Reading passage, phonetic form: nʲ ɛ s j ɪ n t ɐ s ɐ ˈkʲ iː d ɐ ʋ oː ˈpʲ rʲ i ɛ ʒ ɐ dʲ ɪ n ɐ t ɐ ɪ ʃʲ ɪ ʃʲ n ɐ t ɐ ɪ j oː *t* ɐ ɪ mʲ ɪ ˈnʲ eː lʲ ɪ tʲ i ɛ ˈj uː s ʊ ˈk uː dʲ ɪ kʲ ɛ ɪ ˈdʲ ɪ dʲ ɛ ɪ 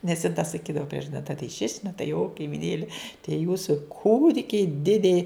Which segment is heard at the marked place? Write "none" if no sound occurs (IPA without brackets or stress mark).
k